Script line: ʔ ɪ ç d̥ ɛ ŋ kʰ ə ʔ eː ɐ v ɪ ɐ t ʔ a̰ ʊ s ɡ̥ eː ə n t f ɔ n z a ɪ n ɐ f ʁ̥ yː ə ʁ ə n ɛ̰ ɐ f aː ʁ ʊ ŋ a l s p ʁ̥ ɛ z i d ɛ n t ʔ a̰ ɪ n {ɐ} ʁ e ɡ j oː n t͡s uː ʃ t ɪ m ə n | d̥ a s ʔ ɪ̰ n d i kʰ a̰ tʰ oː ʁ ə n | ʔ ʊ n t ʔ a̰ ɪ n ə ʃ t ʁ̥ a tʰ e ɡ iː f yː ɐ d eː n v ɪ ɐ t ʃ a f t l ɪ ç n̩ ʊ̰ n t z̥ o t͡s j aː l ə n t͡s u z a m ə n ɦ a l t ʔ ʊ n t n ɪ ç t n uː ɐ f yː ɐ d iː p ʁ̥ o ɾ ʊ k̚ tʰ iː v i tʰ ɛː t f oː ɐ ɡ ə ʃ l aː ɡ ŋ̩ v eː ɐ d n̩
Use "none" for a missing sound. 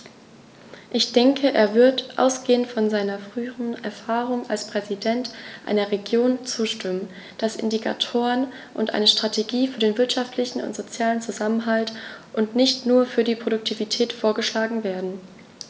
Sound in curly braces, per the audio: ɐ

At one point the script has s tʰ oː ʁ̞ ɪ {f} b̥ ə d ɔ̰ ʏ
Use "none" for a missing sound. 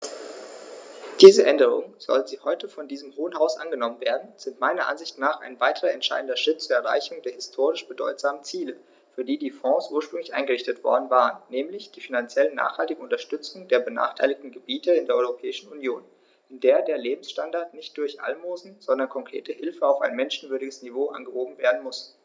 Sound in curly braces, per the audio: ʃ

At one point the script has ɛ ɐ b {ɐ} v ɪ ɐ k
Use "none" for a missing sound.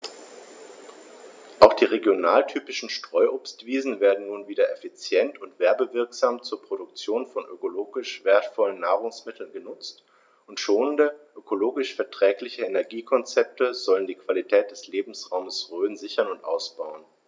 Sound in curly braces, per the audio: ə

